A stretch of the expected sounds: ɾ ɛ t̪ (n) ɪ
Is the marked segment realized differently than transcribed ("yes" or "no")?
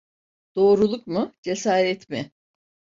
yes